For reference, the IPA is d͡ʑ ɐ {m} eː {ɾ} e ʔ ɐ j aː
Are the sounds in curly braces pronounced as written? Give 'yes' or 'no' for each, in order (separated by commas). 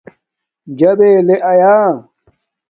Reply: no, no